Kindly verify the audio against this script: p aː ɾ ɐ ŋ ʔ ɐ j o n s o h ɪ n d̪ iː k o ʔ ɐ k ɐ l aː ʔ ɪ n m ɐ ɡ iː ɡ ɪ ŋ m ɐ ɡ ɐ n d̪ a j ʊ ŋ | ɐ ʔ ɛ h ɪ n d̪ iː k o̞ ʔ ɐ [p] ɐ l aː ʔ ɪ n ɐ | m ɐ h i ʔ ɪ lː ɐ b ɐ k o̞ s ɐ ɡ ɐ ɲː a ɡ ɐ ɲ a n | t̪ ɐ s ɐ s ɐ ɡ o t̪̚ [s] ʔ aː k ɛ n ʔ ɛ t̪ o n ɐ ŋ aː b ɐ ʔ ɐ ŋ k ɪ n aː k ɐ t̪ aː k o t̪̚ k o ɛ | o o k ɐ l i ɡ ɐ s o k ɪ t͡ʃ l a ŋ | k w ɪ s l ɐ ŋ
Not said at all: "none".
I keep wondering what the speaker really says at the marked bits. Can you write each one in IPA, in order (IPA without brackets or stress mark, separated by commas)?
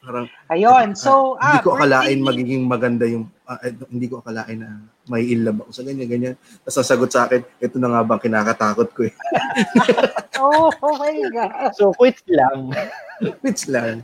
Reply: k, s